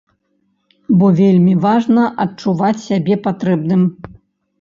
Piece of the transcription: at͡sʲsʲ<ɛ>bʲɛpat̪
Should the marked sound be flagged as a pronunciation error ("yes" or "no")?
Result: yes